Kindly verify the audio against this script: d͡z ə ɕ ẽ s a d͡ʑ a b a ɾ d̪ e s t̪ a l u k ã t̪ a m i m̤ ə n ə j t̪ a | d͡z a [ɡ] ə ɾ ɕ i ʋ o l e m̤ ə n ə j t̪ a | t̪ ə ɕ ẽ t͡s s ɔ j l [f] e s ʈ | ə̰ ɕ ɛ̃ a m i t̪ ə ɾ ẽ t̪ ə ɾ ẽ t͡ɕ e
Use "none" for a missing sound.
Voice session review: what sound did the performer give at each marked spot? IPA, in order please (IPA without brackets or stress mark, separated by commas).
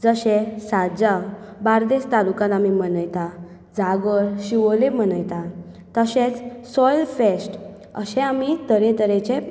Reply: ɡ, f